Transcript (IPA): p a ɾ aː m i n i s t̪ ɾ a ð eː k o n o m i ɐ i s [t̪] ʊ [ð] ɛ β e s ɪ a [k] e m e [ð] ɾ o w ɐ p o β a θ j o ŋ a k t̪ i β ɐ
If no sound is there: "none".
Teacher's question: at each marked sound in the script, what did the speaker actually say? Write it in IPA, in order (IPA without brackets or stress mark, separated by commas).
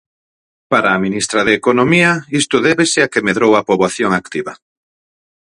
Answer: t̪, ð, k, ð